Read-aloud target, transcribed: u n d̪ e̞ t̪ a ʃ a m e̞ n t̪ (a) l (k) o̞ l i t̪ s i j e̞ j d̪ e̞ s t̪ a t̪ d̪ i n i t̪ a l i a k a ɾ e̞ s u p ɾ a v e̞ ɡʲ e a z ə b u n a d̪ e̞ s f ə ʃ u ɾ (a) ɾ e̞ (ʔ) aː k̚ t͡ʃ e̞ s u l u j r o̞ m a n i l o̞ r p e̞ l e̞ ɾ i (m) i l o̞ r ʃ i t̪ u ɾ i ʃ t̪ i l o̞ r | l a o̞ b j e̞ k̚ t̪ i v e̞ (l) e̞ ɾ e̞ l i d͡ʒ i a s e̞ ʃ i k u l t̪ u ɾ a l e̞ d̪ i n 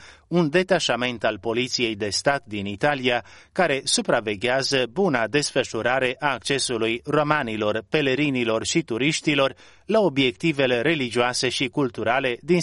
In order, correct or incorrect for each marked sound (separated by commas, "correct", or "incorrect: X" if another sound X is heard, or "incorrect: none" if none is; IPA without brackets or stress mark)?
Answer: correct, incorrect: p, correct, correct, incorrect: n, correct